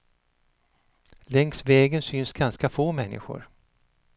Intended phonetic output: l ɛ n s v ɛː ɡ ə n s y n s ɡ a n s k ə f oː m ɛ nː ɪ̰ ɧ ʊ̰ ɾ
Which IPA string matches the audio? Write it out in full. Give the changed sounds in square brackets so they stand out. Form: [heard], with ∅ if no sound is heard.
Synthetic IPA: l ɛ [ŋ] s v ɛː ɡ ə n s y n s ɡ a n s k [a] f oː m ɛ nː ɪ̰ ɧ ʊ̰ ɾ